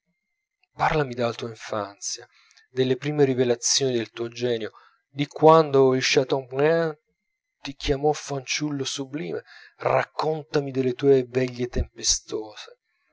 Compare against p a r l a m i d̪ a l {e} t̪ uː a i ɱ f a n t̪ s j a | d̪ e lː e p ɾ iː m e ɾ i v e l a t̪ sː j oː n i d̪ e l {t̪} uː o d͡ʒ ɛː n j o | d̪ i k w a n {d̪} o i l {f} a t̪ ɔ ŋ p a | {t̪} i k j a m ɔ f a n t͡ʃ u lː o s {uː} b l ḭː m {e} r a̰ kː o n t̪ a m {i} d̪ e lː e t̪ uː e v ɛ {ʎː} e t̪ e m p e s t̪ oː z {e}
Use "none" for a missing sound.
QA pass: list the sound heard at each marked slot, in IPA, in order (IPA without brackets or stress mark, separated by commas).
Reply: a, t̪, d̪, ʃ, t̪, u, e, i, ʎː, e